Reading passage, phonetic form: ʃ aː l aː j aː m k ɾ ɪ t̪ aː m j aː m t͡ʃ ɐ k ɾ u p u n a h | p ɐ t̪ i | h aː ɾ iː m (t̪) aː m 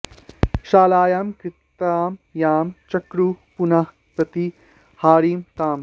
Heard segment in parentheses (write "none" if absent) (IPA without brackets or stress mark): t̪